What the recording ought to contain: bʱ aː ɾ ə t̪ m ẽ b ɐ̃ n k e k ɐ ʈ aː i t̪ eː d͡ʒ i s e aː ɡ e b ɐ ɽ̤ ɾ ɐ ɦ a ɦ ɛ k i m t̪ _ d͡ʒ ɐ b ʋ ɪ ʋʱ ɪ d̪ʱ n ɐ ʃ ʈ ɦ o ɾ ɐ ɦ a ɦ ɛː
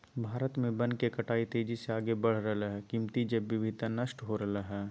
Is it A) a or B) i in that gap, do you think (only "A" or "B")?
B